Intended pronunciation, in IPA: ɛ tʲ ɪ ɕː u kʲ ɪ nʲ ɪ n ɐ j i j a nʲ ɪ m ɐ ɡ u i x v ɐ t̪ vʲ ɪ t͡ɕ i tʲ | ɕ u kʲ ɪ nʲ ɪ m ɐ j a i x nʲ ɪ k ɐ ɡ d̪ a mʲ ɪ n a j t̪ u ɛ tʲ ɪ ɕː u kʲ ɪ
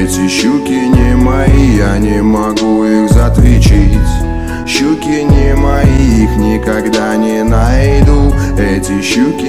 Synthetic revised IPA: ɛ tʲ ɪ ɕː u kʲ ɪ nʲ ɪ m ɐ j i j a nʲ ɪ m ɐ ɡ u i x z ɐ t̪ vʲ ɪ t͡ɕ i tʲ | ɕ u kʲ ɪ nʲ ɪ m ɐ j i i x nʲ ɪ k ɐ ɡ d̪ a nʲ ɪ n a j d̪ u ɛ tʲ ɪ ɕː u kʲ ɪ

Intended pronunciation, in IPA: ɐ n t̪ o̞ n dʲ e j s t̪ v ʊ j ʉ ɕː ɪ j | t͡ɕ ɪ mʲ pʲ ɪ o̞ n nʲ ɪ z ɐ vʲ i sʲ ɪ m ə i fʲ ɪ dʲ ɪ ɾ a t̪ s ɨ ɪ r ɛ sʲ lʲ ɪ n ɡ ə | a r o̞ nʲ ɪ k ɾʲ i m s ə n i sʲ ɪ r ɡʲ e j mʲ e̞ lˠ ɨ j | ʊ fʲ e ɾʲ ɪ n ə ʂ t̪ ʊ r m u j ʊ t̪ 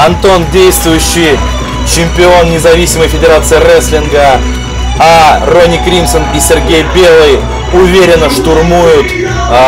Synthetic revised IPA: ɐ n t̪ o̞ n dʲ e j s t̪ v ʊ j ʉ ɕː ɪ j | t͡ɕ ɪ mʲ pʲ ɪ o̞ n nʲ ɪ z ɐ vʲ i sʲ ɪ m ə j fʲ ɪ dʲ ɪ ɾ a t̪ s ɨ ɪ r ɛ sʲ lʲ ɪ n ɡ ə | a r o̞ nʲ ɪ k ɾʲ i m s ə n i sʲ ɪ r ɡʲ e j bʲ e̞ lˠ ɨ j | ʊ vʲ e ɾʲ ɪ n ə ʂ t̪ ʊ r m u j ʊ t̪

